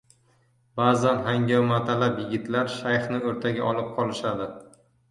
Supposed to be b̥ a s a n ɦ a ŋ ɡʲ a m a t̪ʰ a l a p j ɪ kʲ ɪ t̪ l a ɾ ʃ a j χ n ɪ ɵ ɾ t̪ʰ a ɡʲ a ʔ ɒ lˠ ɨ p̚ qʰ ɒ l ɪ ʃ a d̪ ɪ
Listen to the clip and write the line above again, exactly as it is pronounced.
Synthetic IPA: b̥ a z a n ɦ a ŋ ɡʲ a m a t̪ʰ a l a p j ɪ ɡʲ ɪ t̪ l a ɾ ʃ a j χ n ɪ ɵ ɾ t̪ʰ a ɡʲ a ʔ ɒ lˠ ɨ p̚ qʰ ɒ l ɪ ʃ a d̪ ɪ